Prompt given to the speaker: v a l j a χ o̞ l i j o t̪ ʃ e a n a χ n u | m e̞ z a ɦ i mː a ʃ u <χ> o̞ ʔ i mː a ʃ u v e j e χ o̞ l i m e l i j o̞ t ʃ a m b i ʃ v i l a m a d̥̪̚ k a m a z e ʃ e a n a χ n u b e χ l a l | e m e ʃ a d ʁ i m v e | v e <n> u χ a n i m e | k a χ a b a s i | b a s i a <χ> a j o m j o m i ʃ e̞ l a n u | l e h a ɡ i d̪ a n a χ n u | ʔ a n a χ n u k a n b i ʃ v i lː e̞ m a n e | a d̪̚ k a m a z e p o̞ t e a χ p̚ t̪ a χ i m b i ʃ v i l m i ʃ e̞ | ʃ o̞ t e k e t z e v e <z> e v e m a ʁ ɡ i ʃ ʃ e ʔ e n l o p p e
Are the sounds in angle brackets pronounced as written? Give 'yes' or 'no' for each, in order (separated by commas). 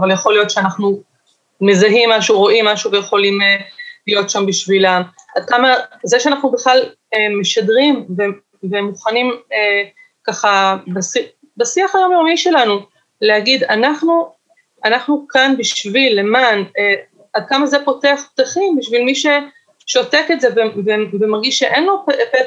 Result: no, no, yes, no